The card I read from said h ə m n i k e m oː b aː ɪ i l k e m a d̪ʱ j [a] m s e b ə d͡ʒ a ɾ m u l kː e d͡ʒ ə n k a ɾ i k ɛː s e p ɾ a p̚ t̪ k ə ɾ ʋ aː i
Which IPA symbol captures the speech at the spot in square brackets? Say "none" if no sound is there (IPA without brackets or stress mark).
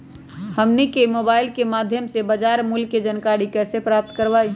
ə